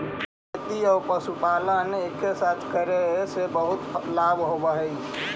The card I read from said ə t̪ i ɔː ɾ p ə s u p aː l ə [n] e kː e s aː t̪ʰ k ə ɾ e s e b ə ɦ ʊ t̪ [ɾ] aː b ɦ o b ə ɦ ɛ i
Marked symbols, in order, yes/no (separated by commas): yes, no